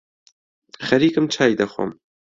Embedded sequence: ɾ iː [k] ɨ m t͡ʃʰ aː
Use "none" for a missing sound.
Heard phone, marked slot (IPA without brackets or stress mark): k